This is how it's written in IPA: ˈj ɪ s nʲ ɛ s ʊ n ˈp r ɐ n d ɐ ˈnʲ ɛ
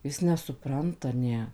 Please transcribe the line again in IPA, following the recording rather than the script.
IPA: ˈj ɪ s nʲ ɛ s ʊ ˈp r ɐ n t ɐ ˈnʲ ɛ